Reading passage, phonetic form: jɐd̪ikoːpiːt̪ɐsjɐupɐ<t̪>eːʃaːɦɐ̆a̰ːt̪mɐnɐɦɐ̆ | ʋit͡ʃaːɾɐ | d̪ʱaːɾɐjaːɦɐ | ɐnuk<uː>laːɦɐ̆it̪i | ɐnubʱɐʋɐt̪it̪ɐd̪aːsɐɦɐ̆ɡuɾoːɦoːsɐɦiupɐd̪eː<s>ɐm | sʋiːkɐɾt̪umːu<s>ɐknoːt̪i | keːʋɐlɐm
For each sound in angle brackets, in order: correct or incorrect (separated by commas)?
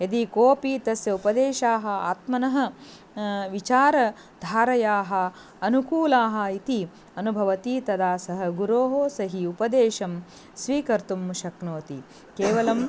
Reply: incorrect, correct, incorrect, incorrect